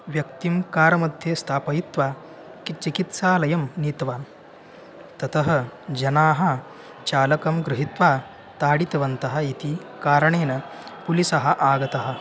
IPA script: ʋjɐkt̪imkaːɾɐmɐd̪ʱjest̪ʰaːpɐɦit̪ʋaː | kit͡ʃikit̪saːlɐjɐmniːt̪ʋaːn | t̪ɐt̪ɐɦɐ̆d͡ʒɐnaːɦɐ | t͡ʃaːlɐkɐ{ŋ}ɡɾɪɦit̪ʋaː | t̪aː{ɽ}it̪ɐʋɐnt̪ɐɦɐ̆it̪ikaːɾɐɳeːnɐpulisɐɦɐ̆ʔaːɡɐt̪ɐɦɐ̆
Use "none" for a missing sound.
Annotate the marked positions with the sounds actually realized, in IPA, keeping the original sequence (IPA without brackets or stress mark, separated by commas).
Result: m, ɽ